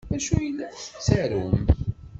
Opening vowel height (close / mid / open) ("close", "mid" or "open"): open